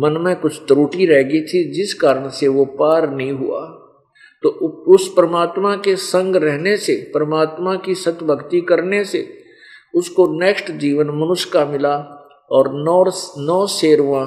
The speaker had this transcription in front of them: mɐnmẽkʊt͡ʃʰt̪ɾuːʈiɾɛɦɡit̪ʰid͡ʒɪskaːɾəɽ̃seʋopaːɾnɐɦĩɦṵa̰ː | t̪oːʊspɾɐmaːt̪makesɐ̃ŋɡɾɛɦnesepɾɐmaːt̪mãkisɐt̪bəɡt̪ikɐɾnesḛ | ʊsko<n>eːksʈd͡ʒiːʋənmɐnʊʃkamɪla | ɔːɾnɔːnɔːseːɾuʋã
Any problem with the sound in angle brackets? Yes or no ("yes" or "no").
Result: no